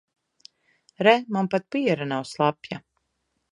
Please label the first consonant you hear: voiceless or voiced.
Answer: voiced